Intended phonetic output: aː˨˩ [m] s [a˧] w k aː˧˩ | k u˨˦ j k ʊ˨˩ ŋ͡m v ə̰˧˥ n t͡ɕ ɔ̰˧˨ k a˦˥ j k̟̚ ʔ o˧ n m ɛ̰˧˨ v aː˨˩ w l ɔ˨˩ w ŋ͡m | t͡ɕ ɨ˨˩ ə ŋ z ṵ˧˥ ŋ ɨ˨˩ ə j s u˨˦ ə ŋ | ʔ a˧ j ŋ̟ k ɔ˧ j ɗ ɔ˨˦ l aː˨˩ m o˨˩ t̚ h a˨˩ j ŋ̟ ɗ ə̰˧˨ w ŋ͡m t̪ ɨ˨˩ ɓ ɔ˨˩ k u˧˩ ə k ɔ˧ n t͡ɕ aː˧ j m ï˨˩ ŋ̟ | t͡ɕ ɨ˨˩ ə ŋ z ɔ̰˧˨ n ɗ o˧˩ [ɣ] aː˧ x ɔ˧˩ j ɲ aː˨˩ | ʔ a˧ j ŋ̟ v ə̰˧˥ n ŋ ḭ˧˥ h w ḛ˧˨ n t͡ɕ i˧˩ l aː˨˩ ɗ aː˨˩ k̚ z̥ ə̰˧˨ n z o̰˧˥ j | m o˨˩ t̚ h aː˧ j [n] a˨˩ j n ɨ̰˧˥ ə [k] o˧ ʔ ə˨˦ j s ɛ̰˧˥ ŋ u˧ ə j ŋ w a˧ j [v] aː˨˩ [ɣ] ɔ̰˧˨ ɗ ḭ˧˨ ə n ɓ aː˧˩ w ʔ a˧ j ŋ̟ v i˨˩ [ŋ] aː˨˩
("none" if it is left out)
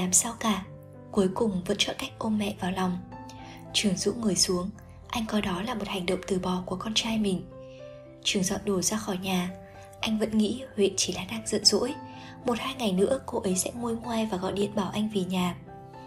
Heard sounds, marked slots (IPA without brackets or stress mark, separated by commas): m, a˧, z, ŋ, k, v, ɣ, ɲ